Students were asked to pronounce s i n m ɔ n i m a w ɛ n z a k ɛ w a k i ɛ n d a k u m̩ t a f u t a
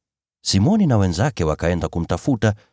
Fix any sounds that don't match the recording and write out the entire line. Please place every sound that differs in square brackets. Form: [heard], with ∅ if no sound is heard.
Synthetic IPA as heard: s i [∅] m ɔ n i [n] a w ɛ n z a k ɛ w a k [a] ɛ n d a k u m̩ t a f u t a